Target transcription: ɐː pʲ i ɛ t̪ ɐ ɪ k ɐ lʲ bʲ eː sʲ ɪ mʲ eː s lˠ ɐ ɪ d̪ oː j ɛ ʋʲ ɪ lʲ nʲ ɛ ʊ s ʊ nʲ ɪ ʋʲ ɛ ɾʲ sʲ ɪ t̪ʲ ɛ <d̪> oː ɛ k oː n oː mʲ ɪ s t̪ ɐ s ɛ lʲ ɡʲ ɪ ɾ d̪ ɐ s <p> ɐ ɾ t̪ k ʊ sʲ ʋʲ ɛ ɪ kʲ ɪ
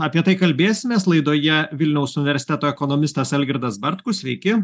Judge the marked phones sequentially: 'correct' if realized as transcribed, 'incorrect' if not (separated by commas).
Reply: incorrect, incorrect